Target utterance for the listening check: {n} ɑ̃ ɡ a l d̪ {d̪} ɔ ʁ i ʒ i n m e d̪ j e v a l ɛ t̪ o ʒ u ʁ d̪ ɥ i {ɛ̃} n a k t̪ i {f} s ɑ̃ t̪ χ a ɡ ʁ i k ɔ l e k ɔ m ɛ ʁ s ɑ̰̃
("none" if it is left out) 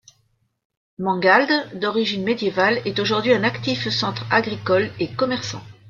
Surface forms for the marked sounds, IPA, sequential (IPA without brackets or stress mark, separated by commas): m, d̪, ɛ̃, f